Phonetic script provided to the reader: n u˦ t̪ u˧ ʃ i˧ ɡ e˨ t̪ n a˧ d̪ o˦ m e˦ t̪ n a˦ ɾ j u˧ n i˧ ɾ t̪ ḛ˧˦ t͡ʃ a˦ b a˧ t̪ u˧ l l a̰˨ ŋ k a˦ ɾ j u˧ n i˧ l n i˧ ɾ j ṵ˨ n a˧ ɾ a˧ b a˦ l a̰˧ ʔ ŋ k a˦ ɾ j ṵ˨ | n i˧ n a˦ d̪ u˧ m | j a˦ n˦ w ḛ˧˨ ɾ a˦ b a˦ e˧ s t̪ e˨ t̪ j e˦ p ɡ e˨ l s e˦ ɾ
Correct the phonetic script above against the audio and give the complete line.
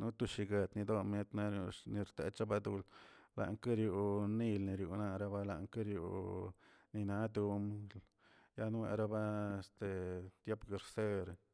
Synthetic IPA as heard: n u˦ t̪ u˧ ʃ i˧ ɡ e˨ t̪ n i˧ d̪ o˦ m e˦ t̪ n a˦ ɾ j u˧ n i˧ ɾ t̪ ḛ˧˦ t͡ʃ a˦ b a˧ d̪ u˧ l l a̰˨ ŋ k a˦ ɾ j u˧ n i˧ l n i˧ ɾ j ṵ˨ n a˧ ɾ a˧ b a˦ l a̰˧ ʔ ŋ k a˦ ɾ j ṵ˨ | n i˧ n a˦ d̪ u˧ m | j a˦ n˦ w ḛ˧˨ ɾ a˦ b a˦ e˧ s t̪ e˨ t̪ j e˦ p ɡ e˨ ɾ s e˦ ɾ